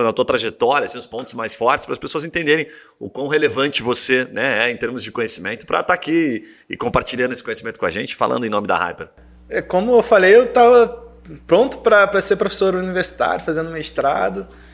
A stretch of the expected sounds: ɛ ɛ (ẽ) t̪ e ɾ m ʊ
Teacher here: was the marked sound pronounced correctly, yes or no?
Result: yes